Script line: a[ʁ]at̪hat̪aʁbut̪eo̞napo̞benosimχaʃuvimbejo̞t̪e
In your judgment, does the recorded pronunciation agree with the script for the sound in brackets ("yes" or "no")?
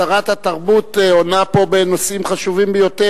yes